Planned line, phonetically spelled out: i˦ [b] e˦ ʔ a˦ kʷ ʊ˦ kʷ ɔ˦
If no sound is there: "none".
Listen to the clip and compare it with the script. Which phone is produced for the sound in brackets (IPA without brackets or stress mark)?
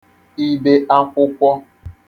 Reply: b